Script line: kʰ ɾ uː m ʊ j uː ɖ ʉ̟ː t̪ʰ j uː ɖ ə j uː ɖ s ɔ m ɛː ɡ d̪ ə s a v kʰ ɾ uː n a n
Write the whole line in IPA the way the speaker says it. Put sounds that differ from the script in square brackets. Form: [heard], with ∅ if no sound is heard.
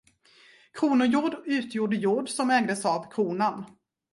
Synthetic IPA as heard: kʰ ɾ uː [n] ʊ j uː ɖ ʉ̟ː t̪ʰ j uː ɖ ə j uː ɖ s ɔ m ɛː ɡ d̪ ə s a v kʰ ɾ uː n a n